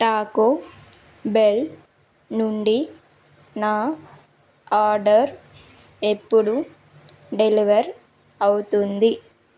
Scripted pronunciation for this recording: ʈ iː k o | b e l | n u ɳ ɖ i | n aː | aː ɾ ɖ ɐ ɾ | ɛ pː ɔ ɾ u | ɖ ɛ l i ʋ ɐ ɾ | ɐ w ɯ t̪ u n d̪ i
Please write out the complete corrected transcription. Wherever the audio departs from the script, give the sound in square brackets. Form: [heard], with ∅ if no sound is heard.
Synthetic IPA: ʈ [aː] k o | b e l | n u ɳ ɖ i | n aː | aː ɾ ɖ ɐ ɾ | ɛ pː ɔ [ɽ] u | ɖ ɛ l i ʋ ɐ ɾ | ɐ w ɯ t̪ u n d̪ i

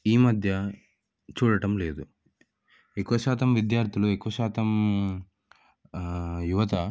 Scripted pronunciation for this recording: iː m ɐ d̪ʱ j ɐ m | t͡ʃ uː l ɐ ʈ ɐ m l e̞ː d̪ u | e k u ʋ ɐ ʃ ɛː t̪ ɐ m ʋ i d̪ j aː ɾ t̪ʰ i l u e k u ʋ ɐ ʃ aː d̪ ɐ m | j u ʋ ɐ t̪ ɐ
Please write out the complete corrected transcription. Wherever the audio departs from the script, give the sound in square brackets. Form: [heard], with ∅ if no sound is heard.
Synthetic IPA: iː m ɐ d̪ʱ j ɐ [∅] | t͡ʃ uː [ɽ] ɐ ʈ ɐ m l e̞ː d̪ u | e k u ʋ ɐ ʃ [aː] t̪ ɐ m ʋ i d̪ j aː ɾ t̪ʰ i l u e k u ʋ ɐ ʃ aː [t̪] ɐ m | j u ʋ ɐ t̪ ɐ

